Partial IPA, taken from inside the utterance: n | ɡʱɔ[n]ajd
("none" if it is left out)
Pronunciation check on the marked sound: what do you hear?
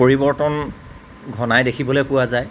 n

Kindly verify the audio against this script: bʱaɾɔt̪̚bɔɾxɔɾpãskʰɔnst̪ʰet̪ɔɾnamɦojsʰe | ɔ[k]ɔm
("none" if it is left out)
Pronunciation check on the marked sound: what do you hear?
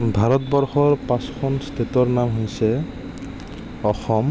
x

